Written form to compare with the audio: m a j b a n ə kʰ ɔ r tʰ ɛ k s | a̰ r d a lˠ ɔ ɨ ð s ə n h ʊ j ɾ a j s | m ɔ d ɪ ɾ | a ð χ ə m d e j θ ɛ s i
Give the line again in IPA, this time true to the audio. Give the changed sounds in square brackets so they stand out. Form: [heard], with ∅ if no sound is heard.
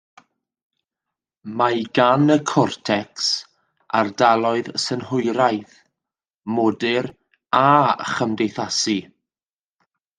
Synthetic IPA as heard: m a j [ɡ] a n ə kʰ ɔ r tʰ ɛ k s | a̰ r d a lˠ ɔ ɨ ð s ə n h ʊ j ɾ a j [θ] | m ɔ d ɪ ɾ | a [∅] χ ə m d e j θ [a] s i